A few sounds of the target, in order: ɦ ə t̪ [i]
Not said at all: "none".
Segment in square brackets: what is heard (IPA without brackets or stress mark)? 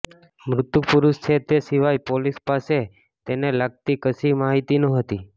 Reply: i